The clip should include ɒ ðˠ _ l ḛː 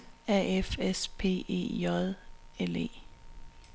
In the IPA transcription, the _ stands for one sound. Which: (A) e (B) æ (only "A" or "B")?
A